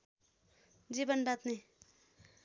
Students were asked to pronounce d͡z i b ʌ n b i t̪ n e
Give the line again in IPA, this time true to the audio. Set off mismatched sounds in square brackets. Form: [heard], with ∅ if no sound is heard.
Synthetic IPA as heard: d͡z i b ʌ n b [a] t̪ n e